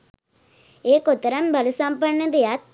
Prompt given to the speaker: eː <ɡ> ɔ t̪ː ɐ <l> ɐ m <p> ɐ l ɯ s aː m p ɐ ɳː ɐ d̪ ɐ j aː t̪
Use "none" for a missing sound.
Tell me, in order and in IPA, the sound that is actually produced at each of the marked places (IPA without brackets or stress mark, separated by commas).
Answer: k, ɾ, b